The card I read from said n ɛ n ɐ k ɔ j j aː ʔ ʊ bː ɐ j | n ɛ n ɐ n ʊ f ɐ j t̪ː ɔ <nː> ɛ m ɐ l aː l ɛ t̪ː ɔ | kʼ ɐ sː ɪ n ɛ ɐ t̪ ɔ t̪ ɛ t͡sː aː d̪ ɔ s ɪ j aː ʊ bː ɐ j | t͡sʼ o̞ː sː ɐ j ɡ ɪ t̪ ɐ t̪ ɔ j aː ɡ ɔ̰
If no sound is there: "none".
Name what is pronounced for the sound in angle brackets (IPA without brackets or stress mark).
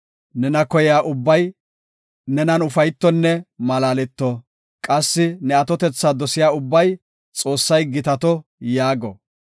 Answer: nː